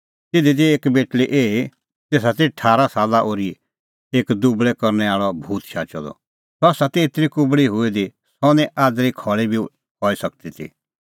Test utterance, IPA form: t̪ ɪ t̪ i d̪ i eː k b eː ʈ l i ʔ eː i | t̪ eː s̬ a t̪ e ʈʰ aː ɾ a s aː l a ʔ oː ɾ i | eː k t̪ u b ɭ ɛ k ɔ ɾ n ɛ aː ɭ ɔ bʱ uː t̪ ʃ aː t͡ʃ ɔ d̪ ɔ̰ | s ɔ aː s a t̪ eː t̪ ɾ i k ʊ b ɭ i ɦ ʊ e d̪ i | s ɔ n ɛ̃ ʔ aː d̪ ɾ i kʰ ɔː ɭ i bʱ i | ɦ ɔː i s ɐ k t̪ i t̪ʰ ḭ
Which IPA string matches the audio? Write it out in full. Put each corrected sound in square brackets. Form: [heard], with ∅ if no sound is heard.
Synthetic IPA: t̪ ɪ [d̪] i d̪ i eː k b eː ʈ l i ʔ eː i | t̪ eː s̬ a t̪ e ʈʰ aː ɾ a s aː l a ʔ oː ɾ i | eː k [d̪] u b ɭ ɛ k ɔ ɾ n ɛ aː ɭ ɔ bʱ uː t̪ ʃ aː t͡ʃ ɔ d̪ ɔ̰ | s ɔ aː s a t̪ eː t̪ ɾ i k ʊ b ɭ i ɦ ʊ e d̪ i | s ɔ n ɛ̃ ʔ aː d̪ ɾ i kʰ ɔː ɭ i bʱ i | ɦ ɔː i s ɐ k t̪ i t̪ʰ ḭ